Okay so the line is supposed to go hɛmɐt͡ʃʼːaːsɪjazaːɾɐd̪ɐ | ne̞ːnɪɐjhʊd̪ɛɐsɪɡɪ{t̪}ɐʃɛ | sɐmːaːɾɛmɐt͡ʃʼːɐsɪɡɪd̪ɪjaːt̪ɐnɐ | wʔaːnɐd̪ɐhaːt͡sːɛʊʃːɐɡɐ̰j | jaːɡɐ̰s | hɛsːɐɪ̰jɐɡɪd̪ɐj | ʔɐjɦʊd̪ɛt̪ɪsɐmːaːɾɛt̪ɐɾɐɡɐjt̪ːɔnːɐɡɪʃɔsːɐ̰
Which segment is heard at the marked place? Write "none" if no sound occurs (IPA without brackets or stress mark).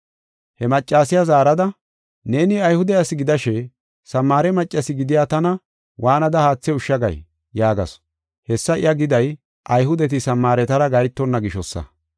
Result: d̪